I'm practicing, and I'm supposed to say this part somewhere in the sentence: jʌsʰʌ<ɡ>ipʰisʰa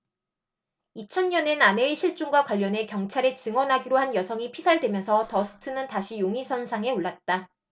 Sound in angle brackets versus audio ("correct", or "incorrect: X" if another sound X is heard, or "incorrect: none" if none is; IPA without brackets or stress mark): incorrect: ŋ